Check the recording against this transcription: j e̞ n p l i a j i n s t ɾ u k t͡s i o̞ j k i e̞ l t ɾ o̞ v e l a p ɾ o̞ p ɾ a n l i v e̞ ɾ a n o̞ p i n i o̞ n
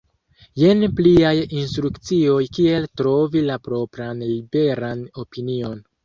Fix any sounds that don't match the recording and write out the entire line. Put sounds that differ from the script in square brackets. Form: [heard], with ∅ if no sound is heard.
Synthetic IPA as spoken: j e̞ n p l i a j i n s t ɾ u k t͡s i o̞ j k i e̞ l t ɾ o̞ v [i] l a p ɾ o̞ p ɾ a n l i [b] e̞ ɾ a n o̞ p i n i o̞ n